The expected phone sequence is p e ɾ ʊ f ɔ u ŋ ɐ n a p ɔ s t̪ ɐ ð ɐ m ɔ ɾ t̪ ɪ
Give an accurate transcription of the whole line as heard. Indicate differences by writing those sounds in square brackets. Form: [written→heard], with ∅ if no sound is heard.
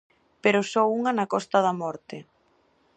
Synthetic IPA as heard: p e ɾ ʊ [f→s] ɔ u ŋ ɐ n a [p→k] ɔ s t̪ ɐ ð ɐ m ɔ ɾ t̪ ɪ